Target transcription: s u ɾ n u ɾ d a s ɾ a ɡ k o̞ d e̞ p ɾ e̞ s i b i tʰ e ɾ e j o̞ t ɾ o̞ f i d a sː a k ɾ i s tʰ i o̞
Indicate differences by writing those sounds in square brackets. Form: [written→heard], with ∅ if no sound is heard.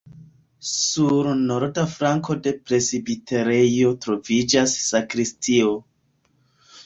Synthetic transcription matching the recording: s u ɾ n [u→o] ɾ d a [s→f] ɾ a [ɡ→ŋ] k o̞ d e̞ p ɾ e̞ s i b i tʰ e ɾ e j o̞ t ɾ o̞ [f→v] i [d→d͡ʒ] a sː a k ɾ i s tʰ i o̞